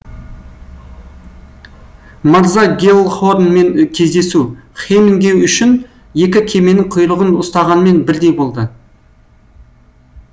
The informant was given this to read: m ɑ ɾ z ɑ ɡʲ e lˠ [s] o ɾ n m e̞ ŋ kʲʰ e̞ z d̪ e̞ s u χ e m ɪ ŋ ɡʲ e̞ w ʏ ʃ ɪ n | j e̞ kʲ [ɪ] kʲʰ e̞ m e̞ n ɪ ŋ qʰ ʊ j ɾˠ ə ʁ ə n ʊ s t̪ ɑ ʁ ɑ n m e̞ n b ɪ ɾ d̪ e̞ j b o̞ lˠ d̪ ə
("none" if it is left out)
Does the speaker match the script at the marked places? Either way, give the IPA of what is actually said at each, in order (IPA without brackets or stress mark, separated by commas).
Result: χ, ɪ